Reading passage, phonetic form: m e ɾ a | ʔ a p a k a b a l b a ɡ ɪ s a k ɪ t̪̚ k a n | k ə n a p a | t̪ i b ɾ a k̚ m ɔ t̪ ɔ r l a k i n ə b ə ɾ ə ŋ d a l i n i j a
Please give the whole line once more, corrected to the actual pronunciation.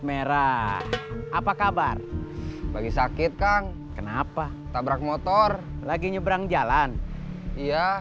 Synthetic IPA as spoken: m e ɾ a | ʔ a p a k a b a r b a ɡ i s a k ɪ t̪̚ k a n | k ə n a p a | t̪ a b ɾ a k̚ m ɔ t̪ ɔ r l a ɡ i ɲ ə b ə ɾ a ŋ d͡ʒ a l a n i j a